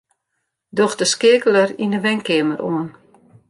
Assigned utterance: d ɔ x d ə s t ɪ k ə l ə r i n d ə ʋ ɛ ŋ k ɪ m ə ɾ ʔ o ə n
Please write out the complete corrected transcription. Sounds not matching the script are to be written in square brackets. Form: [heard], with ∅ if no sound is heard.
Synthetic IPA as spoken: d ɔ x d ə s [k] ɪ k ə l ə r i n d ə ʋ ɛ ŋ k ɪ m ə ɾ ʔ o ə n

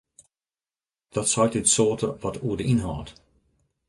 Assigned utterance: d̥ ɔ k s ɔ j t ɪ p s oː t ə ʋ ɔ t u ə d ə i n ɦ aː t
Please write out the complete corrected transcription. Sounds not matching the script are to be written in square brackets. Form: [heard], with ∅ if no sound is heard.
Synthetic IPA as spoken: d̥ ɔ [t] s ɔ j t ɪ [t] s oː t ə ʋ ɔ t u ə d ə i n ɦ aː t

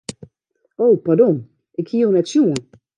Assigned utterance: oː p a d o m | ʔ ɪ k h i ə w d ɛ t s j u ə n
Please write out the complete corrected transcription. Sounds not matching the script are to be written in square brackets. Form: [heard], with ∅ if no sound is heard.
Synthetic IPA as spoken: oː p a d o [n] | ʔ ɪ k h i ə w [n] ɛ t s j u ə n

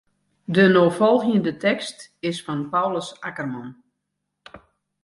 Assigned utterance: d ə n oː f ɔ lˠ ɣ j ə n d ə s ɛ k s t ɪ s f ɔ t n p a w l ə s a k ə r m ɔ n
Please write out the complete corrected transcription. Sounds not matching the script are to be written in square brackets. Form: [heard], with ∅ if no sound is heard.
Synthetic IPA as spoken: d ə n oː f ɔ lˠ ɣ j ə n d ə [t] ɛ k s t ɪ s f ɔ [∅] n p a w l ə s a k ə r m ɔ n

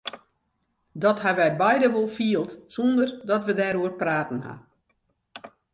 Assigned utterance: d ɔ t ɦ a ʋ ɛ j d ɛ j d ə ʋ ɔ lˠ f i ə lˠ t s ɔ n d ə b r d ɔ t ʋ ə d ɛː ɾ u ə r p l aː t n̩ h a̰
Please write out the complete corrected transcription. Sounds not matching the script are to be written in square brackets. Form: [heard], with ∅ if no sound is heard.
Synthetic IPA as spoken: d ɔ t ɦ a ʋ ɛ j [b] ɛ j d ə ʋ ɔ lˠ f i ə lˠ t s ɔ n d ə [∅] r d ɔ t ʋ ə d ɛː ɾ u ə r p [r] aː t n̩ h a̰

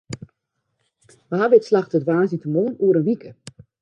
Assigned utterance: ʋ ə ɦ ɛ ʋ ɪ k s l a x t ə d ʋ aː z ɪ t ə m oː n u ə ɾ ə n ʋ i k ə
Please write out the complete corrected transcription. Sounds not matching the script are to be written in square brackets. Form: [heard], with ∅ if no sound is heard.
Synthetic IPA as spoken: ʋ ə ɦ [a] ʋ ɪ [t] s l a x t ə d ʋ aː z [i] t ə m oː n u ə ɾ ə n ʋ i k ə

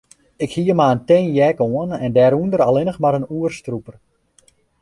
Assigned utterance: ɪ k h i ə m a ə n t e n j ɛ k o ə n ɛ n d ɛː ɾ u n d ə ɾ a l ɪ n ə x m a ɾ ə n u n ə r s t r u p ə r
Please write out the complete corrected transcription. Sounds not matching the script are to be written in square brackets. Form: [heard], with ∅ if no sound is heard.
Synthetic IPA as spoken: ɪ k h i ə m a ə n t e n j ɛ k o ə n ɛ n d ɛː ɾ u n d ə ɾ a l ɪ n ə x m a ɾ ə n u [∅] ə r s t r u p ə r

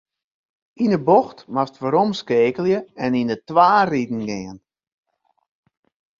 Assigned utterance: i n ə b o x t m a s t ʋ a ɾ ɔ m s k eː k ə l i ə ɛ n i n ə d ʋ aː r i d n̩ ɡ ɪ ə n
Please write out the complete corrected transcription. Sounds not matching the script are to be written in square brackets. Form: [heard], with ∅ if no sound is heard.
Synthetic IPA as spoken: i n ə b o x t m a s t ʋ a ɾ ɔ m s k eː k ə l [j] ə ɛ n i n ə [t] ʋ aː r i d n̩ ɡ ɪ ə n

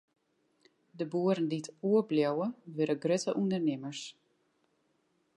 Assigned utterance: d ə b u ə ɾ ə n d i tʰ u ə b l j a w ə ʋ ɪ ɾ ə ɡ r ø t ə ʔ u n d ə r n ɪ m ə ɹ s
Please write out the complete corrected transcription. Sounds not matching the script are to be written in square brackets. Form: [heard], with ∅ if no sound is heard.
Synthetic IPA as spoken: d ə b u ə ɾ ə n d i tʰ u ə b l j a w ə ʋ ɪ ɾ ə ɡ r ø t ə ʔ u n d ə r n ɪ m ə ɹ s

